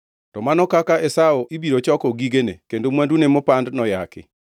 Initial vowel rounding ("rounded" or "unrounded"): rounded